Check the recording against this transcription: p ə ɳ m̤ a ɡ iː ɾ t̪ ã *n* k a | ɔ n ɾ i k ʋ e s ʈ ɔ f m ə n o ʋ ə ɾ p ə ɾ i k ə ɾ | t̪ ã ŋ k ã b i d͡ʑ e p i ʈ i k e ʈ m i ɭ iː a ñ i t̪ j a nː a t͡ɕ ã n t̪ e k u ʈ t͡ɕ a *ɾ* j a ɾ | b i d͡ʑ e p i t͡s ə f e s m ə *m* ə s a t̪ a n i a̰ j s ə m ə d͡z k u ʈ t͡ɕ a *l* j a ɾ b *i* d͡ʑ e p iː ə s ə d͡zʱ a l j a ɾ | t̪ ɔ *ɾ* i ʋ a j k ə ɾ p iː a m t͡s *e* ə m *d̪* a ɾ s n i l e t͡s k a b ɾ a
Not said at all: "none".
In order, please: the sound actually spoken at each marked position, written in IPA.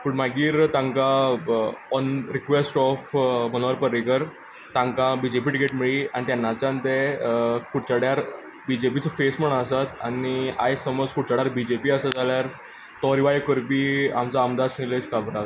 ŋ, ɽ, ɳ, ɽ, i, ɾ, a, d̪

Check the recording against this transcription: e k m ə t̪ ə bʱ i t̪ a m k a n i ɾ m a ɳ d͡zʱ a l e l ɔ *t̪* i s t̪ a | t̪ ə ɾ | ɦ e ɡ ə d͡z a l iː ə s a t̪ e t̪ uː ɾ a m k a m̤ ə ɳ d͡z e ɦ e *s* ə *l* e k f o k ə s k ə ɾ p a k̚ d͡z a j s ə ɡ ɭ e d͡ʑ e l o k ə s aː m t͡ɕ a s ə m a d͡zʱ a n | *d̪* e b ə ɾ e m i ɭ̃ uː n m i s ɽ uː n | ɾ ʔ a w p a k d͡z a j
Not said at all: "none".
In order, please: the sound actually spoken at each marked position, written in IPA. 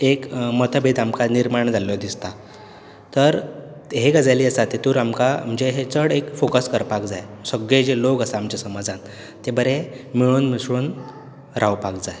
d̪, t͡s, ɽ, t̪

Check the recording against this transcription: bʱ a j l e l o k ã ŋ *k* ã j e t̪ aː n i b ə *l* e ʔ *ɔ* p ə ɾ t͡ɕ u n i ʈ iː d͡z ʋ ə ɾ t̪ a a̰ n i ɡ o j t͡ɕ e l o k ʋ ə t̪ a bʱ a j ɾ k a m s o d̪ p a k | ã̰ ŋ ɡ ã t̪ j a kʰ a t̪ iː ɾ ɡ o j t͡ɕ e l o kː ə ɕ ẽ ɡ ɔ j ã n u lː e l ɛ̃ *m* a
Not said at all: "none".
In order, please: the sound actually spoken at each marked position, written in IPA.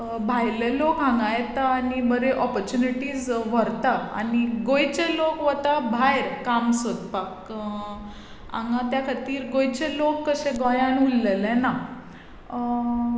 ɡ, ɾ, ɔ, n

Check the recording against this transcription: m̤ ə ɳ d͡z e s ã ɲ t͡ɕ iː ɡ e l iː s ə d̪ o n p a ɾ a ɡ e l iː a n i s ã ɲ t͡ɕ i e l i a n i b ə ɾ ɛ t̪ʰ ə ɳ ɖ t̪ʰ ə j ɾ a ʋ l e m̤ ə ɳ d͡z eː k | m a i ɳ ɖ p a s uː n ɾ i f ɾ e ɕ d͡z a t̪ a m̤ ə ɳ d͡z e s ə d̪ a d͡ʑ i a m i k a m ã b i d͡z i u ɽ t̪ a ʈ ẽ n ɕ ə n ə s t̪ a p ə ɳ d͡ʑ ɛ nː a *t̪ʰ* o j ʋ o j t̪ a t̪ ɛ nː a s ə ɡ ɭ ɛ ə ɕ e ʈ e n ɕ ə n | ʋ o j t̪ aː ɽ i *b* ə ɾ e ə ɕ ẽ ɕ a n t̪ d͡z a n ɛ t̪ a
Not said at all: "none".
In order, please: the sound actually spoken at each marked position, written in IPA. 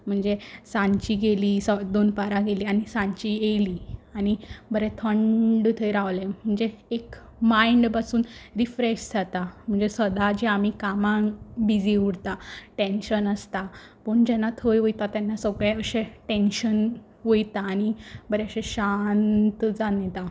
t̪ʰ, b

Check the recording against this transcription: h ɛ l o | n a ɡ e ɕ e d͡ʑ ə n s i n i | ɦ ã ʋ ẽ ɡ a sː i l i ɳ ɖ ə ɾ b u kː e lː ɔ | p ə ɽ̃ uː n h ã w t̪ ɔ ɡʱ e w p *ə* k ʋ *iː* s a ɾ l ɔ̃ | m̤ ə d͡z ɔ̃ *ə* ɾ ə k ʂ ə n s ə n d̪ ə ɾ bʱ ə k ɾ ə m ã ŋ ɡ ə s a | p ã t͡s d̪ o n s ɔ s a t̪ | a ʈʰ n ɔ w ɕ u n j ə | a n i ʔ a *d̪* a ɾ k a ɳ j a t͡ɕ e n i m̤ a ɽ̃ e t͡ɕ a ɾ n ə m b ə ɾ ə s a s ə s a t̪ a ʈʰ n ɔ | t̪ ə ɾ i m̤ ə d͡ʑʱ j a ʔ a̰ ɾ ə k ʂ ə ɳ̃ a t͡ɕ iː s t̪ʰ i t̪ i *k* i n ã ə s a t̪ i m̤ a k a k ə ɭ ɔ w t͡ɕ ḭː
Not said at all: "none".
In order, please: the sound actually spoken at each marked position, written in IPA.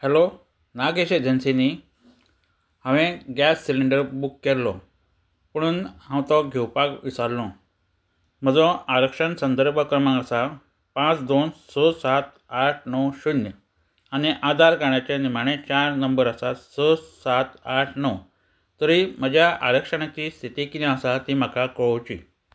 a, i, a, d̪, k

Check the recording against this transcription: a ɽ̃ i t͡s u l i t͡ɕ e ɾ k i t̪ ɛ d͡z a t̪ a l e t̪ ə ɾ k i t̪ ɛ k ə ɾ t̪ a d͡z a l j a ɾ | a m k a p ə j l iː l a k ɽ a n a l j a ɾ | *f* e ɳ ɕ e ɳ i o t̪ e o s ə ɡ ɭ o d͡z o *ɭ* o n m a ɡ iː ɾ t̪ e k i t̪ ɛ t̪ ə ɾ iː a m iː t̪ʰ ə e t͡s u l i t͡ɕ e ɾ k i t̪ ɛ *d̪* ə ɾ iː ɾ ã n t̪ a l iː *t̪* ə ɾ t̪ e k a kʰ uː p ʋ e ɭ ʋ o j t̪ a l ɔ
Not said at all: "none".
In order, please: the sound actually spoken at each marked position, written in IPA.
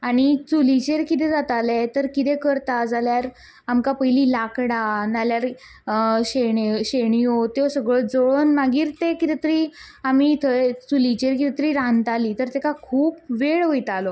ɕ, ɭ, t̪, t̪

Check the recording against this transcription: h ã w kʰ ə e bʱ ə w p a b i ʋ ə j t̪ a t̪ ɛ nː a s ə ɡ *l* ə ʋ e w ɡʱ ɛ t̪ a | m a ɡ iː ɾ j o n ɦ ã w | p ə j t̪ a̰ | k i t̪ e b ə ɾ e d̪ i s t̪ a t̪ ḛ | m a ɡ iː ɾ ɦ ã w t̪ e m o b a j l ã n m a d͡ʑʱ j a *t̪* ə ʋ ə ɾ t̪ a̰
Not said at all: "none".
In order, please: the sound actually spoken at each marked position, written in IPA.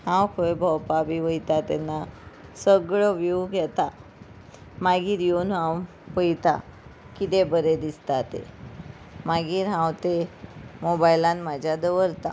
ɭ, d̪

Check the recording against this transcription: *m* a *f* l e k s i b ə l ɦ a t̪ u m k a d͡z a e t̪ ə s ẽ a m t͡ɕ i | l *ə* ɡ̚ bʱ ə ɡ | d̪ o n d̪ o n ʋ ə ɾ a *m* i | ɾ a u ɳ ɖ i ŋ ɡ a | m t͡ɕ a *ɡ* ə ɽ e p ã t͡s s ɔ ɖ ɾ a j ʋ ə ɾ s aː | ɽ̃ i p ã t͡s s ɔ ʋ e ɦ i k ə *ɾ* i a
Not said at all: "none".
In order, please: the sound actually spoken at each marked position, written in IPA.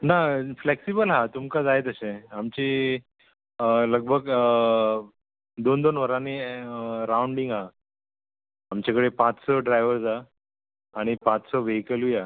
n, f, ə, n, k, l

